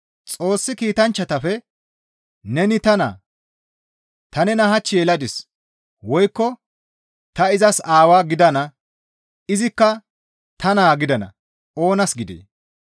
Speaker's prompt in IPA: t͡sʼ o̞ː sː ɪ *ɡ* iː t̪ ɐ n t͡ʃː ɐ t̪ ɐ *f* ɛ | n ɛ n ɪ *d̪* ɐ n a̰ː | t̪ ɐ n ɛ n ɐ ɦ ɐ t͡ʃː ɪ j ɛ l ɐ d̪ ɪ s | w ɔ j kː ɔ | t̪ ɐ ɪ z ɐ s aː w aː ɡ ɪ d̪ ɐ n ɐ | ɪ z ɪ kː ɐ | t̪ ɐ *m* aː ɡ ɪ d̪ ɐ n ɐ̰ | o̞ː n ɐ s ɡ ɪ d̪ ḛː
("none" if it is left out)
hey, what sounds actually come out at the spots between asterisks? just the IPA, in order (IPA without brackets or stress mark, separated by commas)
k, f, t̪, n